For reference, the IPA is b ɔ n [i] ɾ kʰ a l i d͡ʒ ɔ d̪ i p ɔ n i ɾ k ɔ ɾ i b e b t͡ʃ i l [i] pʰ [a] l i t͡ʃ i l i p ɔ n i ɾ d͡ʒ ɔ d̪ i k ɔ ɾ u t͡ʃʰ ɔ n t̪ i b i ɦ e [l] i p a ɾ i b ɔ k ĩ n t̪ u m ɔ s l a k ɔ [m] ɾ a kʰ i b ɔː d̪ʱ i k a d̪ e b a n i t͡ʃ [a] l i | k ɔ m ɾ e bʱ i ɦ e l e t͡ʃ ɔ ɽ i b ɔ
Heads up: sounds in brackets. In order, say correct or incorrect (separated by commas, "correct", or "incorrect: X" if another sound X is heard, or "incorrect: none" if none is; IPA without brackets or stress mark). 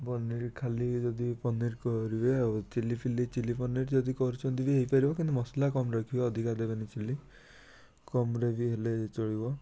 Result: correct, correct, incorrect: i, incorrect: none, correct, incorrect: i